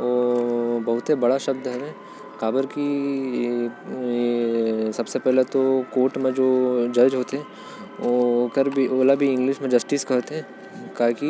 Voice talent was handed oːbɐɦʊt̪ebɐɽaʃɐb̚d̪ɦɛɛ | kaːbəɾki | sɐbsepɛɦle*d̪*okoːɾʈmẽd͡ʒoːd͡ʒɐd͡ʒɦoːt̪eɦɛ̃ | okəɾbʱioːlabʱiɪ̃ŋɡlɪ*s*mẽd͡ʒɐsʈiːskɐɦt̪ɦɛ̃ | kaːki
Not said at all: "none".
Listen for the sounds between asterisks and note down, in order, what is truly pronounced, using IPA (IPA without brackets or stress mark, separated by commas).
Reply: t̪, ʃ